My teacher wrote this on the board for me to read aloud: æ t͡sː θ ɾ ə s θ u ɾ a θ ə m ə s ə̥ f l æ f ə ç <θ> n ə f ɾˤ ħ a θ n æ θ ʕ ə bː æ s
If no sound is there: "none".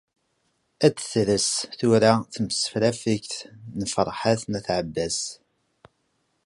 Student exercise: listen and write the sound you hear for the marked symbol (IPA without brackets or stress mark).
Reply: θ